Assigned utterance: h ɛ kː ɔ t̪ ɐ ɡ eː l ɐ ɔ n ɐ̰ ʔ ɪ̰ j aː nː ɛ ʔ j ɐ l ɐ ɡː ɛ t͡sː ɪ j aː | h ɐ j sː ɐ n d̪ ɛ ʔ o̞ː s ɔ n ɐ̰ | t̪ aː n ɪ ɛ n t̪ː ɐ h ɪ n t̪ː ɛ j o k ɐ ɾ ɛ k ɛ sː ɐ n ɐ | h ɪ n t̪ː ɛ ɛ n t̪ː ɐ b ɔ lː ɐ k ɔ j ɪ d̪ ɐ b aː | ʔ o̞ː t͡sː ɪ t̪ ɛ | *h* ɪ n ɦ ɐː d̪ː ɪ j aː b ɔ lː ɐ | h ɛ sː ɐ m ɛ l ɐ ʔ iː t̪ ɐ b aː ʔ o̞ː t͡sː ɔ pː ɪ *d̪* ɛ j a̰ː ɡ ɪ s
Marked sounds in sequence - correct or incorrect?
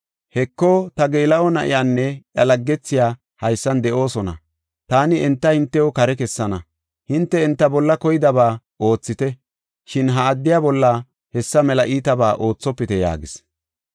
incorrect: ʃ, incorrect: t̪

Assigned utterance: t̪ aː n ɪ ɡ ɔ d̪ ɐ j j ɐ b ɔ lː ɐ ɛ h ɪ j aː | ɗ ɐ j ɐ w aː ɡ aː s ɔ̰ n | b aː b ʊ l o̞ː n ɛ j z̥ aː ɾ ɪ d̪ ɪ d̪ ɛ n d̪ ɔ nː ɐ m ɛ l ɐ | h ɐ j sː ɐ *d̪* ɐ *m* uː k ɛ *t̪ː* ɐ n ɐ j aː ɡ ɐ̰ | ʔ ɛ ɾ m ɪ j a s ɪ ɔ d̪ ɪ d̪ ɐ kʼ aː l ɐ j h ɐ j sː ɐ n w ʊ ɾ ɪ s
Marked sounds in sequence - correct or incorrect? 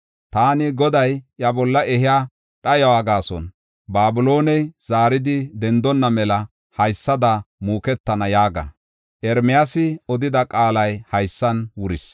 correct, correct, correct

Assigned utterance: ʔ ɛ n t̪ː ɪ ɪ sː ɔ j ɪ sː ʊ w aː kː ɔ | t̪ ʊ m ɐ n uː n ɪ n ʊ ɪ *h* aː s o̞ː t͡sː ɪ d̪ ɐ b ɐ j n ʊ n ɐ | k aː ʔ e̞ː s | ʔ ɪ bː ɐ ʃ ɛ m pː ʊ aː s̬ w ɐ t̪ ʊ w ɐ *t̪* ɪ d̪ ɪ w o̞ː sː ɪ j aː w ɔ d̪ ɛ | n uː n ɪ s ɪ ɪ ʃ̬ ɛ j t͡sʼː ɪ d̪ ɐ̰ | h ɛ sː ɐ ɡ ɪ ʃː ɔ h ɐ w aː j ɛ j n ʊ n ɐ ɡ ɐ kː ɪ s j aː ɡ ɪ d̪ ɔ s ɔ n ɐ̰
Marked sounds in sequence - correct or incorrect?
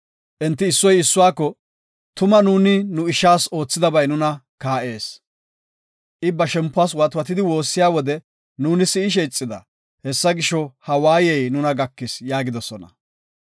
incorrect: ʃ, correct

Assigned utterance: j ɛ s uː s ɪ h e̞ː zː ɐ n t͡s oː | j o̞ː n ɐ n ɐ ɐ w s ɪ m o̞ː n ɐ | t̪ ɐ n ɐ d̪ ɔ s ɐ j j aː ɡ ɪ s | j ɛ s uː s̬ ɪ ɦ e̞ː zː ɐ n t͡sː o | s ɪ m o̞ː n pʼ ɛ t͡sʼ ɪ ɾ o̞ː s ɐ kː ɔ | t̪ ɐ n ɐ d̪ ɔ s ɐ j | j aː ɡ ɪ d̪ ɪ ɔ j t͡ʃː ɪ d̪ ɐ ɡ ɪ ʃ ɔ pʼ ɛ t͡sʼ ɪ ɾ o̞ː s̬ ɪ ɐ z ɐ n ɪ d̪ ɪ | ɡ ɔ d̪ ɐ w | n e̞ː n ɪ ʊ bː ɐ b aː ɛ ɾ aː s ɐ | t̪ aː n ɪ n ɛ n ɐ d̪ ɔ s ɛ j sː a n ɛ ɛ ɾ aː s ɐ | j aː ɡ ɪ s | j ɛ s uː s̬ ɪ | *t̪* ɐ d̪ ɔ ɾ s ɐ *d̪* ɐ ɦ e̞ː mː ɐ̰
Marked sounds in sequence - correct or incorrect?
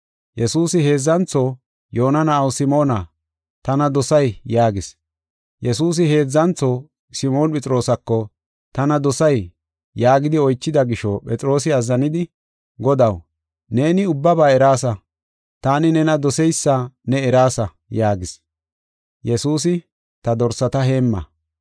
correct, incorrect: t̪

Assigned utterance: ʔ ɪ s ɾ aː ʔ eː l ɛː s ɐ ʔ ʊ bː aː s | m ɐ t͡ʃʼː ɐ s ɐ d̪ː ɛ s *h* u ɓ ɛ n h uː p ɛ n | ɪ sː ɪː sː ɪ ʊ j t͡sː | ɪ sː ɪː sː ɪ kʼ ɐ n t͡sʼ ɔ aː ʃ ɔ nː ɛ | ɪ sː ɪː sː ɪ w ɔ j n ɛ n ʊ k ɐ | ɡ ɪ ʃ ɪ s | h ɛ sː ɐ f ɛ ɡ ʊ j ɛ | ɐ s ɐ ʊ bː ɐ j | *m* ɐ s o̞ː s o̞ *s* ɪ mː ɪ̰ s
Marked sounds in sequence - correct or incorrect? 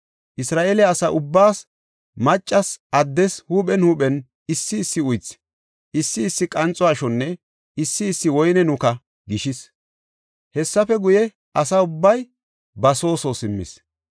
correct, incorrect: b, correct

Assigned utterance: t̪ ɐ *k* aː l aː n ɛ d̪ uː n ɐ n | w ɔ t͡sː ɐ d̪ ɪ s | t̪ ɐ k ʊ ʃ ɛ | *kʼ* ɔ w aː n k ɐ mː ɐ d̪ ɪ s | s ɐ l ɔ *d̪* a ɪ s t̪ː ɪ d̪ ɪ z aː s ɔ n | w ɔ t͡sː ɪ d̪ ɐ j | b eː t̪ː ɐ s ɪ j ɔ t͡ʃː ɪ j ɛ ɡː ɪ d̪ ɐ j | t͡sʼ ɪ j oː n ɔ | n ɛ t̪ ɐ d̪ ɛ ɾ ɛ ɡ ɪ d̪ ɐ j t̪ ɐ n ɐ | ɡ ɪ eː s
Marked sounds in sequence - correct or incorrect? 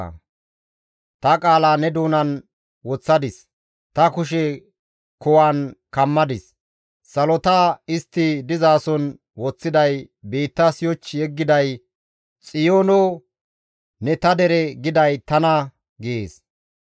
incorrect: kʼ, incorrect: k, incorrect: t̪

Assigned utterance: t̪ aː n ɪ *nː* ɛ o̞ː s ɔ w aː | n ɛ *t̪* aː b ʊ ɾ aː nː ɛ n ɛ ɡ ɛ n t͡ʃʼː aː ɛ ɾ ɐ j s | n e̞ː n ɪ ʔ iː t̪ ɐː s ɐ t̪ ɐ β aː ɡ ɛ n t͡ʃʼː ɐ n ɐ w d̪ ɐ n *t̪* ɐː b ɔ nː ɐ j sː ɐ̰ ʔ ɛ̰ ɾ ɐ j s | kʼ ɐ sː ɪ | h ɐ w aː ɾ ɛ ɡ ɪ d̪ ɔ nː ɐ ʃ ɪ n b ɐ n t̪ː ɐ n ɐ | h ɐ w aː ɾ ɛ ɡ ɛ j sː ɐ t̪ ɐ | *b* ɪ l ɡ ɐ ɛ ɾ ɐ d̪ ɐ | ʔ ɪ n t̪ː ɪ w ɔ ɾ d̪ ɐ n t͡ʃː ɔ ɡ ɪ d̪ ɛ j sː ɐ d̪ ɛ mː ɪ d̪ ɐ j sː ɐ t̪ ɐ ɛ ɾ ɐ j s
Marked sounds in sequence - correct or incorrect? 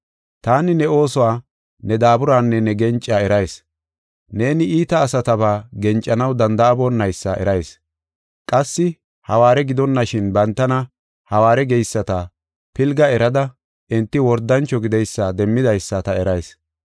incorrect: n, incorrect: d̪, incorrect: d̪, incorrect: p

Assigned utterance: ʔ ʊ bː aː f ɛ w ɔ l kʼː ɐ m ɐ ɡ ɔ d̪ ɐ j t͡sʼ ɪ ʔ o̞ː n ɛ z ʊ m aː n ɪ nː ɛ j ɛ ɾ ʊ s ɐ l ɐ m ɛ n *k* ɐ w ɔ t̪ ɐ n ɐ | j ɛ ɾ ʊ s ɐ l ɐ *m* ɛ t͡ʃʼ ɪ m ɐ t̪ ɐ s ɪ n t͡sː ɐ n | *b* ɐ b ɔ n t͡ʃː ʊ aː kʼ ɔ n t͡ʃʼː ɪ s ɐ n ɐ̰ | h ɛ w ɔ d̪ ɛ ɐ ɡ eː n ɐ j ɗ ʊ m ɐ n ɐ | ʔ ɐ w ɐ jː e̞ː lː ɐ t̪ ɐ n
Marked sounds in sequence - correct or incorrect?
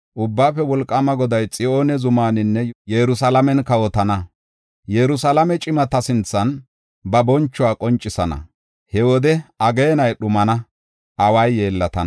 correct, correct, correct

